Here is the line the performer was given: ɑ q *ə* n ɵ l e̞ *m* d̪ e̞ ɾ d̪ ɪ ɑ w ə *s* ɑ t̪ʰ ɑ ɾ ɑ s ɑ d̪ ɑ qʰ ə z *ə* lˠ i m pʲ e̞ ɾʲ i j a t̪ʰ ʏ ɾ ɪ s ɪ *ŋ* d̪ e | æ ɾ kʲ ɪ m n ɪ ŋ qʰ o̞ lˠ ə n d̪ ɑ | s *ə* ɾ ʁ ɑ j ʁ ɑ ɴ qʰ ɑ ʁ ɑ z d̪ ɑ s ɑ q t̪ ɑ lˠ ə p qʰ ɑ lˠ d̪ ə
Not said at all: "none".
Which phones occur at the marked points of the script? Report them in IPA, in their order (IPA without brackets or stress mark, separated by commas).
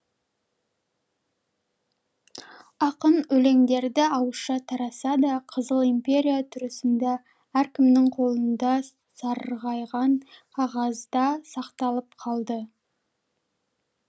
ə, ŋ, ʃ, ə, n, ɑ